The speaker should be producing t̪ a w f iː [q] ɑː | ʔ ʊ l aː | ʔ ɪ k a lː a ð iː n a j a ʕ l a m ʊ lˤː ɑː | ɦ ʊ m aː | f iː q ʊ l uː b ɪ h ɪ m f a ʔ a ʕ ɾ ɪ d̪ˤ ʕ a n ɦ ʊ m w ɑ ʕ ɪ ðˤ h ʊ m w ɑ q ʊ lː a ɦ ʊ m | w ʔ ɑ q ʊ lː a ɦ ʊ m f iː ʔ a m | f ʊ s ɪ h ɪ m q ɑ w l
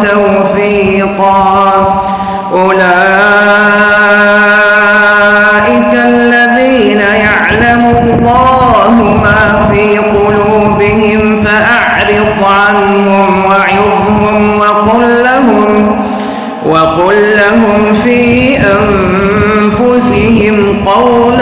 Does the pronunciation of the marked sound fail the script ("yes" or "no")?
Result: no